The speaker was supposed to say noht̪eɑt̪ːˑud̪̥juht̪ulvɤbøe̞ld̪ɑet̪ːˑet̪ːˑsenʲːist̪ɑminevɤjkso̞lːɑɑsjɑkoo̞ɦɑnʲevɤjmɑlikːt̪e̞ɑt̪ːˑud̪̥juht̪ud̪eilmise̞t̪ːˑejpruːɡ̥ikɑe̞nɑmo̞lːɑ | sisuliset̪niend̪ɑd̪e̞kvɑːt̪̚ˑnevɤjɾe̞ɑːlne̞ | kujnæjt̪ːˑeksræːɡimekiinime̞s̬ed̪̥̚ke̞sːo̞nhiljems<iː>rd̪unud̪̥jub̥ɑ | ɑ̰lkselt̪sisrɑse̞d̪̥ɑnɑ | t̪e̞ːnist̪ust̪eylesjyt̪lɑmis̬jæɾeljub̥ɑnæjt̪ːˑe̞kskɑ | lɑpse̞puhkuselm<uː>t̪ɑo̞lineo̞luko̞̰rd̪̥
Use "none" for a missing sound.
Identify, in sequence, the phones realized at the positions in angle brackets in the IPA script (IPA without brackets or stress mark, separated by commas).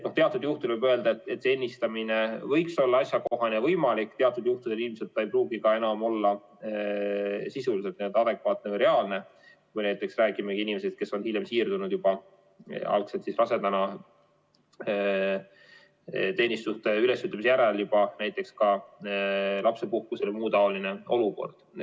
iː, uː